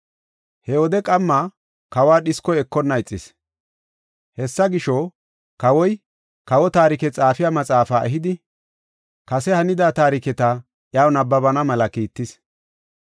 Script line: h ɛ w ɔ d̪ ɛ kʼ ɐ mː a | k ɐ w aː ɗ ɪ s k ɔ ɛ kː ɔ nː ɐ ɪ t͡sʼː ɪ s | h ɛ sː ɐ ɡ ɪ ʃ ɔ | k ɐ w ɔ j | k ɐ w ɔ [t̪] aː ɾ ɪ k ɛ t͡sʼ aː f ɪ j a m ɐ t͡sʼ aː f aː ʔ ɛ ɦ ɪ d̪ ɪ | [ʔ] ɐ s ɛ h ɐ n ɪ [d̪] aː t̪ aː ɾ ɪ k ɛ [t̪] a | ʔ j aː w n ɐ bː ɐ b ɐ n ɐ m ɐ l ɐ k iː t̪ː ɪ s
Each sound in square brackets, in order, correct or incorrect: correct, incorrect, correct, correct

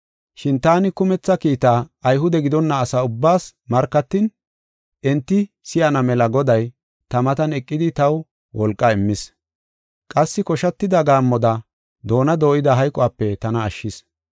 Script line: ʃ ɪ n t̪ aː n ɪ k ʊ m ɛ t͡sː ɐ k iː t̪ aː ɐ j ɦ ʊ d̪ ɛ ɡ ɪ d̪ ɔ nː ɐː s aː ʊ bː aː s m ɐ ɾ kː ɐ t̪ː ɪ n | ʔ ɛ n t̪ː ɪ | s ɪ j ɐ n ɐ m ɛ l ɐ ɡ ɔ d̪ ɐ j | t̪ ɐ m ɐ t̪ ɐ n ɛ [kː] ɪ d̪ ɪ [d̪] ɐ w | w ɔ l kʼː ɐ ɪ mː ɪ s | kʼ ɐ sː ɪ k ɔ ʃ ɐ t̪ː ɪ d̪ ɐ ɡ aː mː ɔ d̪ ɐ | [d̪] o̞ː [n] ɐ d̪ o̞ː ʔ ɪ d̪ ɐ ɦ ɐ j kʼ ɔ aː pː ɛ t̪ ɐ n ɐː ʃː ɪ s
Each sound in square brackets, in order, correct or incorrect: incorrect, incorrect, correct, correct

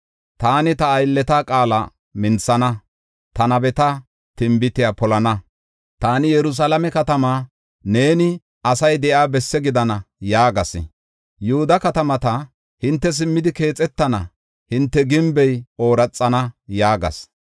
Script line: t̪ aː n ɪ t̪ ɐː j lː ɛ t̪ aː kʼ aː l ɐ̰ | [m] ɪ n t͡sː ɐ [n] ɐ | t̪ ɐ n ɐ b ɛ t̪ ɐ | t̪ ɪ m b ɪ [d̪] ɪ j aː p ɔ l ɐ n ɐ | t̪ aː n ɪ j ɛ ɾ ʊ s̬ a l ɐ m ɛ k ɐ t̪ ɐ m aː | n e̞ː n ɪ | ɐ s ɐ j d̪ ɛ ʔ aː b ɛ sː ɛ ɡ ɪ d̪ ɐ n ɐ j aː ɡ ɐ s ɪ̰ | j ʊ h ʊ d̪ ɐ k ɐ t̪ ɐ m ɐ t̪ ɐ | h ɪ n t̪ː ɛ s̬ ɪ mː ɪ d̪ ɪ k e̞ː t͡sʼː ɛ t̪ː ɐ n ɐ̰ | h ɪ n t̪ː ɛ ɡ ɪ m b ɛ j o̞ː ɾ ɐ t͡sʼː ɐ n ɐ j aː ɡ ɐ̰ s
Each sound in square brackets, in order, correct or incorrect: correct, correct, incorrect

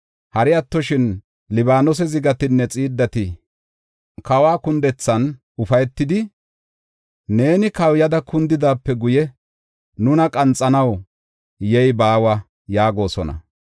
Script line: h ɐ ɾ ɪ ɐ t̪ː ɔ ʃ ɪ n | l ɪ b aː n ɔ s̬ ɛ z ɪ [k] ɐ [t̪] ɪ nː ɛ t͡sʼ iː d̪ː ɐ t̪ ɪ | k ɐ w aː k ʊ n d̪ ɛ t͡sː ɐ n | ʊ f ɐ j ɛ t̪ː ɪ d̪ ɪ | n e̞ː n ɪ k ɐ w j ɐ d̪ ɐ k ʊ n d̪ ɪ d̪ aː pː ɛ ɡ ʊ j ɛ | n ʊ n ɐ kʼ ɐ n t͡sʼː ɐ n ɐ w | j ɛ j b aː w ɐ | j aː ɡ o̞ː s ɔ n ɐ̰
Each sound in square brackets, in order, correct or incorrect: incorrect, correct

